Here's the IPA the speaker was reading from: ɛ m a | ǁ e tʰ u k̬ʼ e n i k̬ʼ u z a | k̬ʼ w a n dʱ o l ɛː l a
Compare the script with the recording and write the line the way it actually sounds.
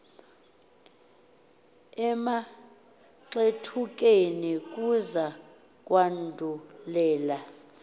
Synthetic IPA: ɛ m a | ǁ e tʰ u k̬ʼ e n i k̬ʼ u z a | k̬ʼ w a n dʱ u l ɛː l a